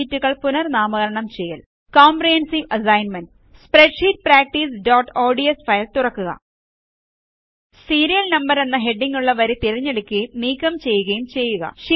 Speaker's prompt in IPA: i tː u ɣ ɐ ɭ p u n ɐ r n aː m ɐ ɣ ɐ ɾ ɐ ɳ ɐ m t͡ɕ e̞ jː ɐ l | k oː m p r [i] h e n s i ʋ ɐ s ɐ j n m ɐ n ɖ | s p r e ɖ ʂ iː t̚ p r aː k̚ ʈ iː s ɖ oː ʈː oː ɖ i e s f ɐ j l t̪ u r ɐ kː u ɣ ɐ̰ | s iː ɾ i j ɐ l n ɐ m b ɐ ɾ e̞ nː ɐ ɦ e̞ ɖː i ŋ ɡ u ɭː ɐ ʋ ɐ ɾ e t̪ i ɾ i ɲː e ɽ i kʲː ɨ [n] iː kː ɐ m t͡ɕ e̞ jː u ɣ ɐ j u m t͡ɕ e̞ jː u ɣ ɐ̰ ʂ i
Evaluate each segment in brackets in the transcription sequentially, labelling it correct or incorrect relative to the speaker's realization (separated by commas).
correct, correct